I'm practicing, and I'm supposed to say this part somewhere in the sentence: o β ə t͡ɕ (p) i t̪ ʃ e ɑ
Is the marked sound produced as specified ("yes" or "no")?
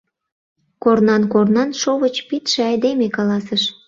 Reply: yes